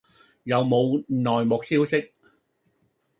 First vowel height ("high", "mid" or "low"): low